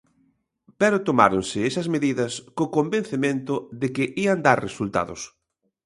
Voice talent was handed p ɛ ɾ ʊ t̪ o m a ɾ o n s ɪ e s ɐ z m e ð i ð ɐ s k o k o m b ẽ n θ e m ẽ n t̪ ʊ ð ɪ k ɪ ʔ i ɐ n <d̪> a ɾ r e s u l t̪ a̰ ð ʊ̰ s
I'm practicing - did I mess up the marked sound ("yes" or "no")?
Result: no